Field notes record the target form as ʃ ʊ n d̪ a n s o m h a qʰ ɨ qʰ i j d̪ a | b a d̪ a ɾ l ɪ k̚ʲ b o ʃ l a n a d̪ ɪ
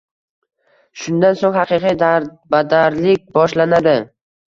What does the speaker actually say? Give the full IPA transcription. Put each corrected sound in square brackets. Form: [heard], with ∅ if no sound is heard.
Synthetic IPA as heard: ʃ ʊ n d̪ a n s o [ŋ] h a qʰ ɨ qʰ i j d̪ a | b a d̪ a ɾ l ɪ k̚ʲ b [ɒ] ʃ l a n a d̪ ɪ